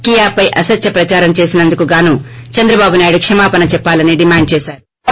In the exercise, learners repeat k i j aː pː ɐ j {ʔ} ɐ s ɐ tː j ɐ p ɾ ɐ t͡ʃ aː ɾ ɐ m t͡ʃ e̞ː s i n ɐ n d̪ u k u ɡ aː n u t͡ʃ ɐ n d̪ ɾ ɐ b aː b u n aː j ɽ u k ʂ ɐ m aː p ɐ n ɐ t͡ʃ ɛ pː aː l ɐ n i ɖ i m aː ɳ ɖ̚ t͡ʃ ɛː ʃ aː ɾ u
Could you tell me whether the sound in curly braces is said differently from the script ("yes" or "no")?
no